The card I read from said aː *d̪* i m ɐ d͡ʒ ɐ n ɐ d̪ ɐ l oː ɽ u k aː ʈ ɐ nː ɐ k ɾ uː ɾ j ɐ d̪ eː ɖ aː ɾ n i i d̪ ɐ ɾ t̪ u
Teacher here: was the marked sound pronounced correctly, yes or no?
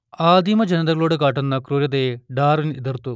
yes